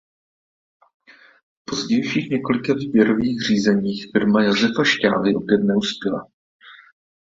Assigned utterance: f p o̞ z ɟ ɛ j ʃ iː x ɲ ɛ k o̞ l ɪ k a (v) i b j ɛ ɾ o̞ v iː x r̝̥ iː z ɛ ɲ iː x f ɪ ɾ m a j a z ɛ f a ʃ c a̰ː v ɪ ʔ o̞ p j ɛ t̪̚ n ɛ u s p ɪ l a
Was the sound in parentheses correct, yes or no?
yes